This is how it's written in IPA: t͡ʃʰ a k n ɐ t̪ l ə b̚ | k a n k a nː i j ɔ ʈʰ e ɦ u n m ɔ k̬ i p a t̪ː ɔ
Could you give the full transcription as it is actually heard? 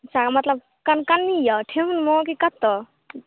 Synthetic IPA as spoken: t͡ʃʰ a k m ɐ t̪ l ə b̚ | k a n k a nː i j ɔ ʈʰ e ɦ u n m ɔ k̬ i k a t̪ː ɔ